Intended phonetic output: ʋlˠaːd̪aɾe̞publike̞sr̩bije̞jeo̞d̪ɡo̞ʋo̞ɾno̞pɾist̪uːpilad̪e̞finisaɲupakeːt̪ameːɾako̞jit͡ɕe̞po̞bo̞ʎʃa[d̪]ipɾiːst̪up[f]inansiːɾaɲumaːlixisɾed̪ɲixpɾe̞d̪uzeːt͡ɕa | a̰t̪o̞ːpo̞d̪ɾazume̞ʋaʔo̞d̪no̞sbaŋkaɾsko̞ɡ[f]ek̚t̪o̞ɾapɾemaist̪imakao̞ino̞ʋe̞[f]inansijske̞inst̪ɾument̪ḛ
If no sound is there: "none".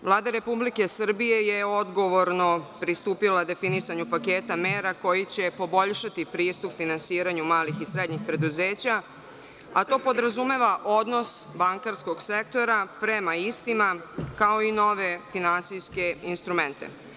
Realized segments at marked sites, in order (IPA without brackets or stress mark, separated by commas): t̪, f, s, f